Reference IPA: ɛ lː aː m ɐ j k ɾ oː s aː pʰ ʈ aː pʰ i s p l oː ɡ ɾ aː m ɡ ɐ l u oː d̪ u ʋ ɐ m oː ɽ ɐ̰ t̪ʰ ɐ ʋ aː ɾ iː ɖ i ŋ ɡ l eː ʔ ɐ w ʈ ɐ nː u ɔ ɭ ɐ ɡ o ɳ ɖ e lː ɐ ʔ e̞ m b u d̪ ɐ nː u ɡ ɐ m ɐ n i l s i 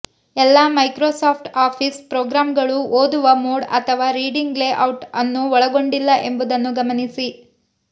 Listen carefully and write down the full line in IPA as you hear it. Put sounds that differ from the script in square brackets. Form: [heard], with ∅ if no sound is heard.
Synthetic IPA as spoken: ɛ lː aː m ɐ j k ɾ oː s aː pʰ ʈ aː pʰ i s p [ɾ] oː ɡ ɾ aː m ɡ ɐ [ɭ] u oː d̪ u ʋ ɐ m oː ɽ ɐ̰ t̪ʰ ɐ ʋ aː ɾ iː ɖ i ŋ ɡ l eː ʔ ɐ w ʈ ɐ nː u ɔ ɭ ɐ ɡ o ɳ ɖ [i] lː ɐ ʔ e̞ m b u d̪ ɐ nː u ɡ ɐ m ɐ n i [∅] s i

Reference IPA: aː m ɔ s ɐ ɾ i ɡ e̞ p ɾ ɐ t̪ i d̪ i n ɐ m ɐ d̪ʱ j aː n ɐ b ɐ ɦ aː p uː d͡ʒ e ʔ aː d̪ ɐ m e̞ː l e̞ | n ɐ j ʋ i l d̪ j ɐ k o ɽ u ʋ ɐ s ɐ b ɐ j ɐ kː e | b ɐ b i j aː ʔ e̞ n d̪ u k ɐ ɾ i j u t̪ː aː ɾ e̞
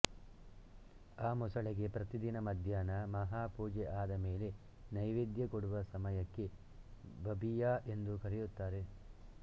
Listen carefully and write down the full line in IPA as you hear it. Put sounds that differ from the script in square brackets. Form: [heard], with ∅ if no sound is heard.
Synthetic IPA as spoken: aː m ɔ s ɐ [ɭ] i ɡ e̞ p ɾ ɐ t̪ i d̪ i n ɐ m ɐ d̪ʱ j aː n ɐ [m] ɐ ɦ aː p uː d͡ʒ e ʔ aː d̪ ɐ m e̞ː l e̞ | n ɐ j ʋ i [∅] d̪ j ɐ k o ɽ u ʋ ɐ s ɐ [m] ɐ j ɐ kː e | b ɐ b i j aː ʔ e̞ n d̪ u k ɐ ɾ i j u t̪ː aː ɾ e̞

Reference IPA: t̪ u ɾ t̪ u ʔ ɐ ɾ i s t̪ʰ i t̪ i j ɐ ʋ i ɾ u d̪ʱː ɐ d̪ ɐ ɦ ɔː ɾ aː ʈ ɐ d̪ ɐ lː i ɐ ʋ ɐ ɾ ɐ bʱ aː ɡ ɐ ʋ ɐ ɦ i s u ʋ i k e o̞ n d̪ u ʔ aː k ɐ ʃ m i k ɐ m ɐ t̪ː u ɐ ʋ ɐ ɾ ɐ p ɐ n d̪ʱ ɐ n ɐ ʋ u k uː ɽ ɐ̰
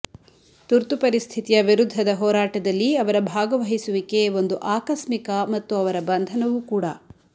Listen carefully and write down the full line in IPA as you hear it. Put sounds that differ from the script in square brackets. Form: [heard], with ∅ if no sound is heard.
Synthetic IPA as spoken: t̪ u ɾ t̪ u [p] ɐ ɾ i s t̪ʰ i t̪ i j ɐ ʋ i ɾ u d̪ʱː ɐ d̪ ɐ ɦ ɔː ɾ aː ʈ ɐ d̪ ɐ lː i ɐ ʋ ɐ ɾ ɐ bʱ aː ɡ ɐ ʋ ɐ ɦ i s u ʋ i k e o̞ n d̪ u ʔ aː k ɐ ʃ m i k ɐ m ɐ t̪ː u ɐ ʋ ɐ ɾ ɐ [b] ɐ n d̪ʱ ɐ n ɐ ʋ u k uː ɽ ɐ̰

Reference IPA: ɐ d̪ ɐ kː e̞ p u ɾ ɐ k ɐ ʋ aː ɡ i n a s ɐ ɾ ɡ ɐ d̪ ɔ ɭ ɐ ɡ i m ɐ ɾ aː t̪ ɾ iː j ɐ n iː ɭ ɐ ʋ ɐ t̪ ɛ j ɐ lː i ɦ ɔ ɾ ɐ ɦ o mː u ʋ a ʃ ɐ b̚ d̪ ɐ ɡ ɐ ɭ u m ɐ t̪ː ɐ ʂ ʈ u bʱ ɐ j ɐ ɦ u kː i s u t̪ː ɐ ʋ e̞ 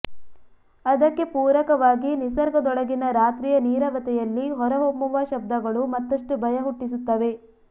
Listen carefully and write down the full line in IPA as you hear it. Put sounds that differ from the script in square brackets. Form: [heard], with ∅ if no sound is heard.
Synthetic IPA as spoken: ɐ d̪ ɐ kː e̞ p [uː] ɾ ɐ k ɐ ʋ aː ɡ i n [i] s ɐ ɾ ɡ ɐ d̪ ɔ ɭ ɐ ɡ i [n] ɐ ɾ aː t̪ ɾ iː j ɐ n iː [ɾ] ɐ ʋ ɐ t̪ ɛ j ɐ lː i ɦ ɔ ɾ ɐ ɦ o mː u ʋ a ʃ ɐ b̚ d̪ ɐ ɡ ɐ ɭ u m ɐ t̪ː ɐ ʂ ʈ u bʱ ɐ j ɐ ɦ u [ʈː] i s u t̪ː ɐ ʋ e̞

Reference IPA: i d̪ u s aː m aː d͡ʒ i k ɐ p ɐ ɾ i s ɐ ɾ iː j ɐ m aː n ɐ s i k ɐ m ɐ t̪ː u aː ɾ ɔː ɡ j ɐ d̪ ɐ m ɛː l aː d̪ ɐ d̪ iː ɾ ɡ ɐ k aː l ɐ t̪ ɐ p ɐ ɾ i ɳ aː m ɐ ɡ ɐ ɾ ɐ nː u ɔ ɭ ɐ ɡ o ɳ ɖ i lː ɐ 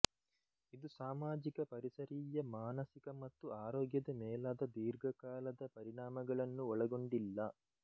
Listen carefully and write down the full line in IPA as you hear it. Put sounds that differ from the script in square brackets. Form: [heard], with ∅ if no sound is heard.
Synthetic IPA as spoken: i d̪ u s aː m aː d͡ʒ i k ɐ p ɐ ɾ i s ɐ ɾ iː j ɐ m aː n ɐ s i k ɐ m ɐ t̪ː u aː ɾ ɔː ɡ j ɐ d̪ ɐ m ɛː l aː d̪ ɐ d̪ iː ɾ ɡ ɐ k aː l ɐ [d̪] ɐ p ɐ ɾ i ɳ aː m ɐ ɡ ɐ [ɭ] ɐ nː u ɔ ɭ ɐ ɡ o ɳ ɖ i lː ɐ

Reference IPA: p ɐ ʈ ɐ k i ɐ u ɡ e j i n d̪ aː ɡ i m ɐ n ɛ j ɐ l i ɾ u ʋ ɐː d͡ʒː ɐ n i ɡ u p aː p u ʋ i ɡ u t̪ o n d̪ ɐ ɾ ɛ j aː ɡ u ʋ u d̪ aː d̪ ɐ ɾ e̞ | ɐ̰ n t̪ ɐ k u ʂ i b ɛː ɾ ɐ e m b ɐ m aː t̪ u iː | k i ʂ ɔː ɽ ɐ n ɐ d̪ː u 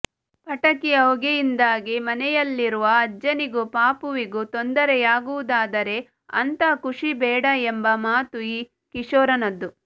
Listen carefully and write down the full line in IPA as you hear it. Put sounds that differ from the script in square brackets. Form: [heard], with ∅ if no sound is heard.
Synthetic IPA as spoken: p ɐ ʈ ɐ k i ɐ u ɡ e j i n d̪ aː ɡ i m ɐ n ɛ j ɐ [lː] i ɾ u ʋ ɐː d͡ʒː ɐ n i ɡ u p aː p u ʋ i ɡ u t̪ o n d̪ ɐ ɾ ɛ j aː ɡ u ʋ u d̪ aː d̪ ɐ ɾ e̞ | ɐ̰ n t̪ ɐ k u ʂ i b ɛː [ɽ] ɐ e m b ɐ m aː t̪ u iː | k i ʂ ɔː [ɾ] ɐ n ɐ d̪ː u

